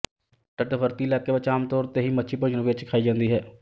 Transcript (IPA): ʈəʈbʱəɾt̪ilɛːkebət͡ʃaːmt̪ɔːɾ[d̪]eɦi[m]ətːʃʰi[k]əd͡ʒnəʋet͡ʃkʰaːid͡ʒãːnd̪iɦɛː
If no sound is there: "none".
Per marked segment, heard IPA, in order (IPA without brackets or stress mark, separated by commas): t̪, m, p